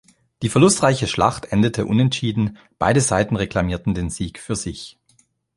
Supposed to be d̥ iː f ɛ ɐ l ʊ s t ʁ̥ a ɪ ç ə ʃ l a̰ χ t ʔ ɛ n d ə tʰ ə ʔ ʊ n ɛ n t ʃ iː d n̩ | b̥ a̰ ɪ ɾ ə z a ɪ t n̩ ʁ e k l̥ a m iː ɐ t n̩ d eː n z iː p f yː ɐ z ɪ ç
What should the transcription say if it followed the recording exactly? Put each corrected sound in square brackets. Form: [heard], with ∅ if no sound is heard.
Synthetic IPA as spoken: d̥ iː f ɛ ɐ l ʊ s t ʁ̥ a ɪ ç ə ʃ l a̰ χ t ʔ ɛ n d ə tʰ ə ʔ ʊ n ɛ n t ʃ iː d n̩ | b̥ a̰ ɪ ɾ ə z a ɪ t n̩ ʁ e k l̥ a m iː ɐ t n̩ d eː n z iː [k] f yː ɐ z ɪ ç